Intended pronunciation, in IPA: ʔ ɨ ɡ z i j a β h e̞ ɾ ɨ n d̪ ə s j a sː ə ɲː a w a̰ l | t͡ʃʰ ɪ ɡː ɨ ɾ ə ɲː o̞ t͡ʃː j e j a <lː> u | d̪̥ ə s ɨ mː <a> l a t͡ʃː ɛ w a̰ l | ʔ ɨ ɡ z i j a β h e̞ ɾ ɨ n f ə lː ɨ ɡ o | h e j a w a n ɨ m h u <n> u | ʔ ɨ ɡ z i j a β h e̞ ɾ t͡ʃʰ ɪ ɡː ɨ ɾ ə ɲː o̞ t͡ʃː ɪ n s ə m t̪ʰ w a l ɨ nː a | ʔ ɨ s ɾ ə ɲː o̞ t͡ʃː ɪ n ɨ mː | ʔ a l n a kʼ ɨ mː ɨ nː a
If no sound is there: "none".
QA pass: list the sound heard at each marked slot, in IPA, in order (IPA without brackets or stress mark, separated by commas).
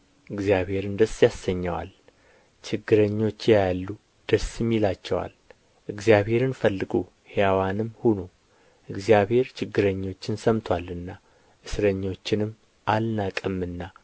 lː, i, n